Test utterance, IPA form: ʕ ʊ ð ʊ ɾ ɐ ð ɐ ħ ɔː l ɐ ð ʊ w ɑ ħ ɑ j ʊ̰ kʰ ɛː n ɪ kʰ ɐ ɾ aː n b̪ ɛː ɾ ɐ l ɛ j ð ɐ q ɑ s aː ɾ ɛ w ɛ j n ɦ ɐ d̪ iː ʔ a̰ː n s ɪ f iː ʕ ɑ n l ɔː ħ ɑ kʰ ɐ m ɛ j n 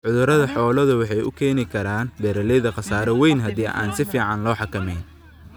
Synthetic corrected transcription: ʕ ʊ ð ʊ ɾ ɐ ð ɐ ħ ɔː l ɐ ð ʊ w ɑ ħ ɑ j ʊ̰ kʰ ɛː n ɪ kʰ ɐ ɾ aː n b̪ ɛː ɾ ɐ l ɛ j ð ɐ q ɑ s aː ɾ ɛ w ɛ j n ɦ ɐ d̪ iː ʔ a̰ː n s ɪ f iː ʕ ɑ n l ɔː ħ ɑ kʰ ɐ m ɛ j n